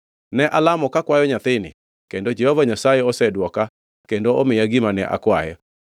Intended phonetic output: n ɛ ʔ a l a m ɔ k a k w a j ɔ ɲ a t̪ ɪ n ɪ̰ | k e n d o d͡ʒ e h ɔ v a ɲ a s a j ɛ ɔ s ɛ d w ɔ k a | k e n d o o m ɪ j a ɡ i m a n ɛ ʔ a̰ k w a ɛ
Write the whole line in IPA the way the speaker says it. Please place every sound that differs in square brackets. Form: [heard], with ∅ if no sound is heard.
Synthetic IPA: n ɛ ʔ a l a m ɔ k a k w a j ɔ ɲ a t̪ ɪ n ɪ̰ | k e n d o d͡ʒ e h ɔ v a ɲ a s a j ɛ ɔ s ɛ d w ɔ k a | k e n d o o m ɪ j a ɡ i m a n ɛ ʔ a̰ k w a ɛ